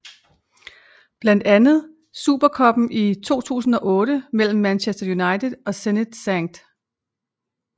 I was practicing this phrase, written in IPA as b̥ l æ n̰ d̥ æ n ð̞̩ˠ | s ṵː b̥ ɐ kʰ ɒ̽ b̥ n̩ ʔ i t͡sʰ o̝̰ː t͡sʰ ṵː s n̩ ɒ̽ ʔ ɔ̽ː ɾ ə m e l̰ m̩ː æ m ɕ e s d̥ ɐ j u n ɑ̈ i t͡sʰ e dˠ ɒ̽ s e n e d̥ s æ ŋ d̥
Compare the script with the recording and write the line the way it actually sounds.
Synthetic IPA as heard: b̥ l æ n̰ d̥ æ n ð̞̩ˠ | s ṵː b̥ ɐ kʰ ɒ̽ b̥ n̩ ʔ i t͡sʰ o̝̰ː t͡sʰ ṵː s n̩ ɒ̽ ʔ ɔ̽ː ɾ ə m e l̰ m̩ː æ n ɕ e s d̥ ɐ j u n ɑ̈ ɪ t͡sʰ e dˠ ɒ̽ s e n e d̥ s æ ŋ d̥

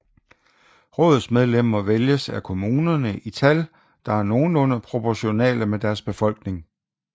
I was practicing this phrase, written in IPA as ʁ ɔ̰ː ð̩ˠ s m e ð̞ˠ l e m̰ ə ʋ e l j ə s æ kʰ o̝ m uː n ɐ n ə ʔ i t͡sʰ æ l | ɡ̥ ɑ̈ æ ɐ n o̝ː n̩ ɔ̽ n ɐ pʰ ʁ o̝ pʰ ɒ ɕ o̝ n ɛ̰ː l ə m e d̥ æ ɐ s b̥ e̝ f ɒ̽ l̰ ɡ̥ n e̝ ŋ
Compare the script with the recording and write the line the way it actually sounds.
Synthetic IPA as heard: ʁ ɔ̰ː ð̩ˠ s m e ð̞ˠ l e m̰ ɐ ʋ e l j ə s æ kʰ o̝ m uː n ɐ n ə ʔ i t͡sʰ æ l | d̥ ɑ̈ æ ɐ n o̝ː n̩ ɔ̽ n ɐ pʰ ʁ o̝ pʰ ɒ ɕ o̝ n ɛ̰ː l ə m e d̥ æ ɐ s b̥ e̝ f ɒ̽ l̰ ɡ̥ n e̝ ŋ

